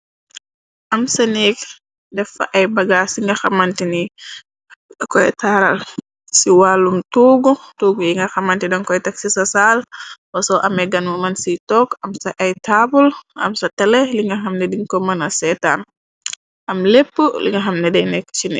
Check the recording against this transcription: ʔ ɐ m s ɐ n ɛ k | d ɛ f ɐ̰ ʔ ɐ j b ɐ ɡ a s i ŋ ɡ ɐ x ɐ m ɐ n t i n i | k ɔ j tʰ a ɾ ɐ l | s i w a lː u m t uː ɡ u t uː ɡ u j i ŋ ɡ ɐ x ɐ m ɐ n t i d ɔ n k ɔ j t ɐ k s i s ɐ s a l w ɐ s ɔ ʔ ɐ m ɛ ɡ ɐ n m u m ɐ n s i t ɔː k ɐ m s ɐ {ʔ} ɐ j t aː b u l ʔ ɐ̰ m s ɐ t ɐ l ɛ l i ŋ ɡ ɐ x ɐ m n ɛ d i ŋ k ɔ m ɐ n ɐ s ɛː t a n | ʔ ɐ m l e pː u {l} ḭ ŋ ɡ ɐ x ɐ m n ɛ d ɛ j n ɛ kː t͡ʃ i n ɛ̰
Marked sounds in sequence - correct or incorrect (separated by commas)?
correct, correct